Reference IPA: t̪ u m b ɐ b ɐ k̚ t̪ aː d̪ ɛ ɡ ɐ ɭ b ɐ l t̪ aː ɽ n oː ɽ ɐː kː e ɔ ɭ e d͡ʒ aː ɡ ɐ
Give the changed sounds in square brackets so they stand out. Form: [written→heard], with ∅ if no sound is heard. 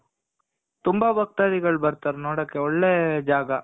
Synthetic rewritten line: t̪ u m b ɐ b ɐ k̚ t̪ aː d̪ [ɛ→i] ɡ ɐ ɭ b ɐ [l→ɾ] t̪ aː [ɽ→ɾ] n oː ɽ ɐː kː e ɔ [ɭ→ɭː] e d͡ʒ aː ɡ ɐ